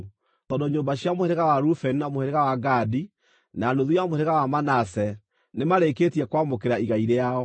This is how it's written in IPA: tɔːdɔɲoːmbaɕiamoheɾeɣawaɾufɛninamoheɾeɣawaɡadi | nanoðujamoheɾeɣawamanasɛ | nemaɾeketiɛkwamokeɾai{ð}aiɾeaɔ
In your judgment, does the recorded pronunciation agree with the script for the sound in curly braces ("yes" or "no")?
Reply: no